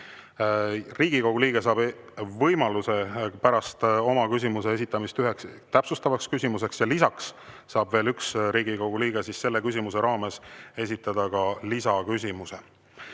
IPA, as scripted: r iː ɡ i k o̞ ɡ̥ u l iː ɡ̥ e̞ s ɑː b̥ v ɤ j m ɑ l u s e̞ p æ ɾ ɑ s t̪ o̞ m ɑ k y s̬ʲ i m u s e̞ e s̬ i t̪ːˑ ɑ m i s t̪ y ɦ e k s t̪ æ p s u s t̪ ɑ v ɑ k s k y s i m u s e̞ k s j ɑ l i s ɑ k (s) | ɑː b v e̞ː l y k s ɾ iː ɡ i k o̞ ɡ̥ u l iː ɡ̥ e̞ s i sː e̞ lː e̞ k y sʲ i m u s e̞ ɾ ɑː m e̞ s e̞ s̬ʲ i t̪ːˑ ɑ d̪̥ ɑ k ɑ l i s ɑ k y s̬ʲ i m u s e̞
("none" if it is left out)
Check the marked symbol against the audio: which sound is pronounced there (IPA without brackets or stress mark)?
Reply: sː